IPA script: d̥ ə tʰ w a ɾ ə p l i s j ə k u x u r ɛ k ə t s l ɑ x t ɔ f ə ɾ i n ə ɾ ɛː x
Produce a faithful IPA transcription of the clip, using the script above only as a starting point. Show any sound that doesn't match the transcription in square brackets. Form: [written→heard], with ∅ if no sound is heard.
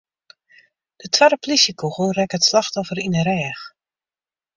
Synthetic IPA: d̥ ə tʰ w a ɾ ə p l i s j ə k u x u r ɛ k ə t s l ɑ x t ɔ f ə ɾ i n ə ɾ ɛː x